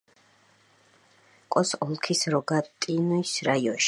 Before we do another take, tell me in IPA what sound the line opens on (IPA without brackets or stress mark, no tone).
kʼ